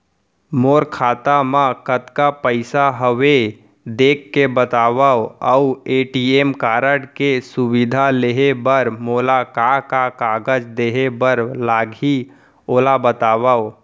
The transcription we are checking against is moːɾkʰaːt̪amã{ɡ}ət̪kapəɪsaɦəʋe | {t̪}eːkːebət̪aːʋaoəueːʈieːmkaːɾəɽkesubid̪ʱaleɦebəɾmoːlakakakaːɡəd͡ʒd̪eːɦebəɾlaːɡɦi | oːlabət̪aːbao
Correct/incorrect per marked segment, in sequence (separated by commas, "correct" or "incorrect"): incorrect, incorrect